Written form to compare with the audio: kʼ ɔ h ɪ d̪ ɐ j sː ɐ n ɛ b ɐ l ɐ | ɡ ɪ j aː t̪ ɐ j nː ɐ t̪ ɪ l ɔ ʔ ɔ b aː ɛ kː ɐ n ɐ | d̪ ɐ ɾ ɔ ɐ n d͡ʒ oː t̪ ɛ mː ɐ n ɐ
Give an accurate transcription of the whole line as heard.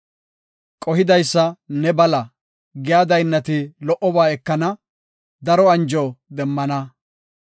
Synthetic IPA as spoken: kʼ ɔ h ɪ d̪ ɐ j sː ɐ n ɛ b ɐ l ɐ | ɡ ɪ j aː d̪ ɐ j nː ɐ t̪ ɪ l ɔ ʔ ɔ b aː ɛ kː ɐ n ɐ | d̪ ɐ ɾ ɔ ɐ n d͡ʒ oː d̪ ɛ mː ɐ n ɐ